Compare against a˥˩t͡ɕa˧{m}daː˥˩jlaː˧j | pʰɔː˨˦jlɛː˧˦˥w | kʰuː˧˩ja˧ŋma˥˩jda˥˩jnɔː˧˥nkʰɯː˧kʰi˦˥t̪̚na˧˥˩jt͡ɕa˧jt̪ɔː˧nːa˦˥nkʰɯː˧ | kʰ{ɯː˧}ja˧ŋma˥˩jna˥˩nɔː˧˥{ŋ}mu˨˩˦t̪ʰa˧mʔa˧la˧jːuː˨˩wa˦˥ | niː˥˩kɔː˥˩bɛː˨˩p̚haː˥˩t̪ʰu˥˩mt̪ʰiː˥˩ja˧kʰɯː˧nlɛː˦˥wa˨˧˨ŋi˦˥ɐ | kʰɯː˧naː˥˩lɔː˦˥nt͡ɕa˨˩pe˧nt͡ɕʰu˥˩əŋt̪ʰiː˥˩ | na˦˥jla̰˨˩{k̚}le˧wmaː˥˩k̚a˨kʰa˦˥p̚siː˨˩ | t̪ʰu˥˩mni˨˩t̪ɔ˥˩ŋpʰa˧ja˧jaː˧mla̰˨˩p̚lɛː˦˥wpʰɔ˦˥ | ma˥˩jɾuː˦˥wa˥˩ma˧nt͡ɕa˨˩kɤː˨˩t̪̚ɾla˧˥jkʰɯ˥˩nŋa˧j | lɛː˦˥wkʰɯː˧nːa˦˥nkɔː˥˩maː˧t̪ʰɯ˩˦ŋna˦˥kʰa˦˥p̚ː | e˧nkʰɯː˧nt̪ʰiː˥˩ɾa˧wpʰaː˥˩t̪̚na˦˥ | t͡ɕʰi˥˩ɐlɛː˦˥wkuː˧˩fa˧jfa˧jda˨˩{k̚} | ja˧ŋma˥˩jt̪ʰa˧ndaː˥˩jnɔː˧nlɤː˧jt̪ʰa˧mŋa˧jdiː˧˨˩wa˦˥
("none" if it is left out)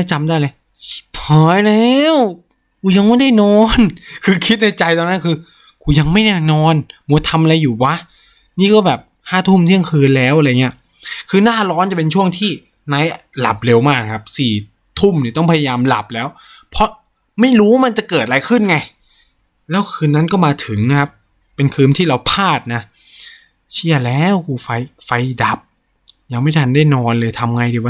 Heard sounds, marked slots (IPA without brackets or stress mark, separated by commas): m, uː˧, n, p̚, p̚